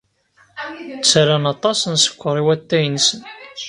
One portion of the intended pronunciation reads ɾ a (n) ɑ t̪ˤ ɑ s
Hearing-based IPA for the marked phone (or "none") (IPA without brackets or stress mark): n